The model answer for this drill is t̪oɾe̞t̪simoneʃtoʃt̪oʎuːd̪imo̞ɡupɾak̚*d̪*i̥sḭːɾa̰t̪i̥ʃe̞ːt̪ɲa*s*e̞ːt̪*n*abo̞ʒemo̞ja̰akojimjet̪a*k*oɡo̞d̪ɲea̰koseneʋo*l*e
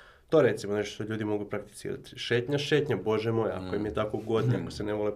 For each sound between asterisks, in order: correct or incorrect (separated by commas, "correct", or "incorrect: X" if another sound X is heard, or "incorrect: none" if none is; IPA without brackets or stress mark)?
incorrect: t̪, incorrect: ʃ, incorrect: ɲ, correct, correct